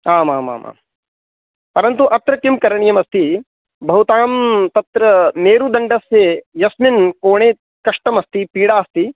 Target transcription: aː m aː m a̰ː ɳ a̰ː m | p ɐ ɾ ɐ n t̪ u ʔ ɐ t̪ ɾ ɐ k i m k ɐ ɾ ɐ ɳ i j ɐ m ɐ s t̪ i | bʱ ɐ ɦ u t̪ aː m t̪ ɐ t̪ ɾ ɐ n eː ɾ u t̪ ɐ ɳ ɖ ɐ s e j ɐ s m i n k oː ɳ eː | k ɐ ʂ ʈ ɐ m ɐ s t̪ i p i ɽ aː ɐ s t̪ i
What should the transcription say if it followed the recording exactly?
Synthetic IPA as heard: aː m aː m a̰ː m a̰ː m | p ɐ ɾ ɐ n t̪ u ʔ ɐ t̪ ɾ ɐ k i m k ɐ ɾ ɐ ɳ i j ɐ m ɐ s t̪ i | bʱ ɐ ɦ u t̪ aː m t̪ ɐ t̪ ɾ ɐ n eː ɾ u d̪ ɐ ɳ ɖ ɐ s e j ɐ s m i n k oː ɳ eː | k ɐ ʂ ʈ ɐ m ɐ s t̪ i p iː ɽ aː ɐ s t̪ i